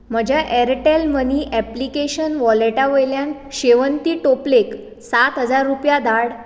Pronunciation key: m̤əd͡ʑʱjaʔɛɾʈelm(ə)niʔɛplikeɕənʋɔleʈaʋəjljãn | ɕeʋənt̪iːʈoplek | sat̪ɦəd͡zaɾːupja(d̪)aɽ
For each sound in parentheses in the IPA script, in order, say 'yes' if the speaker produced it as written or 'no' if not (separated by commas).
yes, yes